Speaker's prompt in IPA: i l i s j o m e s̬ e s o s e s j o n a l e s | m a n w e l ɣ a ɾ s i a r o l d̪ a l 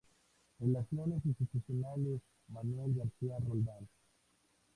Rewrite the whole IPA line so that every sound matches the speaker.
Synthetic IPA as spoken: e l a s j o n e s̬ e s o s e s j o n a l e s | m a n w e l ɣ a ɾ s i a r o l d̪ a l